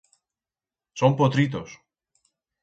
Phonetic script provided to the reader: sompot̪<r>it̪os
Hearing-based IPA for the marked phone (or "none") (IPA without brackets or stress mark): ɾ